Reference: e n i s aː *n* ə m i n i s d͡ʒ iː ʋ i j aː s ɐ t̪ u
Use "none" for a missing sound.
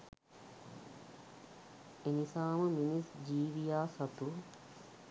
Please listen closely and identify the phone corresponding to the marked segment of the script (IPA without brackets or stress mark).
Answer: m